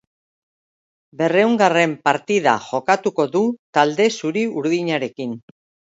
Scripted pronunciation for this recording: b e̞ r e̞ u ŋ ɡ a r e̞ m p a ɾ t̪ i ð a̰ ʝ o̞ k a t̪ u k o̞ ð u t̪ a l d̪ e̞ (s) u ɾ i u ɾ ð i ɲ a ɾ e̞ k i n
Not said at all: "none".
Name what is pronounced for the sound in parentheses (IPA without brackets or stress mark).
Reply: s